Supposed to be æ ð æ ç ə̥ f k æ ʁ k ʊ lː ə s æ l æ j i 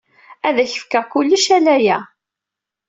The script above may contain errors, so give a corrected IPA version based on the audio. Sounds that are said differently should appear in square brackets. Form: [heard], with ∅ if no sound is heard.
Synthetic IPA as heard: æ ð æ ç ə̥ f k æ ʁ k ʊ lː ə [ʃ] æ l æ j [æ]